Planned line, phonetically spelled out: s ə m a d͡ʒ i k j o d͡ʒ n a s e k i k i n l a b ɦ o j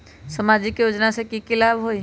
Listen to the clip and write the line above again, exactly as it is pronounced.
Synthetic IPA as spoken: s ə m a d͡ʒ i k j o d͡ʒ n a s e k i k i l a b ɦ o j